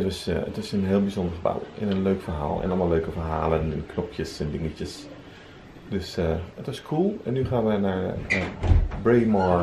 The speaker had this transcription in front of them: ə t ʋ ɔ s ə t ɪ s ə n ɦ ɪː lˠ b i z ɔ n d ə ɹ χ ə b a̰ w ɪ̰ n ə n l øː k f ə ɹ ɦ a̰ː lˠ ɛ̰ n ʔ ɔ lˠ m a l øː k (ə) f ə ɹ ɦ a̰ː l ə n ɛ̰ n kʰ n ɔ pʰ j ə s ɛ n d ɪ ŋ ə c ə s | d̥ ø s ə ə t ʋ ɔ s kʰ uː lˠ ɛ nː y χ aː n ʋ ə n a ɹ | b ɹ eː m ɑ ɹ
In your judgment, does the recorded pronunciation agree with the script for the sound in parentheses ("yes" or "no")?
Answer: yes